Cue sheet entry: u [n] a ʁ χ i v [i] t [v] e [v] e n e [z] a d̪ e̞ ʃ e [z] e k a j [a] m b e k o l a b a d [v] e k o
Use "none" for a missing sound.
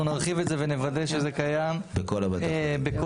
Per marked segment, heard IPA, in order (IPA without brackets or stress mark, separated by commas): n, e, z, v, v, z, a, b